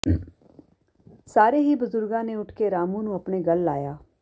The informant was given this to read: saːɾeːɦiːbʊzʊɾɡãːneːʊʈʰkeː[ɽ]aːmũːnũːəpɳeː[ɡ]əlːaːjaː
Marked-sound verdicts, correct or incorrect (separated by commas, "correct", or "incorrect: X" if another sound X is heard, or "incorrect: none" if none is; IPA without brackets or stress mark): incorrect: ɾ, correct